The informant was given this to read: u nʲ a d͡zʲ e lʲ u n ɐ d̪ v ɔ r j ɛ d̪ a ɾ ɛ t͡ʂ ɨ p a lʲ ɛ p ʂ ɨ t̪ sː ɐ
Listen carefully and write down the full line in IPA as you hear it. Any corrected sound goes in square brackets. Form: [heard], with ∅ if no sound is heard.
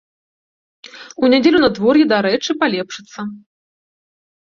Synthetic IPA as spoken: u nʲ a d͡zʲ e lʲ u n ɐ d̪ v ɔ r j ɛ d̪ a ɾ ɛ t͡ʂ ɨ p a lʲ ɛ p ʂ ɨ t̪ sː ɐ